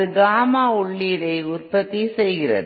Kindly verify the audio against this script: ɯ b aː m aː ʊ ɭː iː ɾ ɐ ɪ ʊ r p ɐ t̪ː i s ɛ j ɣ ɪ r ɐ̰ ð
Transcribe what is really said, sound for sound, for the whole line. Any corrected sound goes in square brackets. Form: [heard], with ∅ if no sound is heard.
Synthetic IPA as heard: ɯ [ɡ] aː m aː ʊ ɭː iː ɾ ɐ ɪ ʊ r p ɐ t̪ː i s ɛ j ɣ ɪ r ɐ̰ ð